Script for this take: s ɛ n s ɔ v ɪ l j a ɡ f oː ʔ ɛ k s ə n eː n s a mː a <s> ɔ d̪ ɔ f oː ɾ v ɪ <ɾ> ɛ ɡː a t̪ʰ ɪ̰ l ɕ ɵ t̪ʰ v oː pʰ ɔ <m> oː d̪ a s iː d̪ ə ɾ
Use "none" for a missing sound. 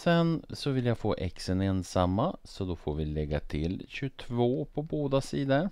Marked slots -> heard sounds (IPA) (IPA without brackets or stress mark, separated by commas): s, l, b